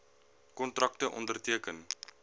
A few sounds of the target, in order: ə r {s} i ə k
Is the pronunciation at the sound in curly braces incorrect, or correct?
incorrect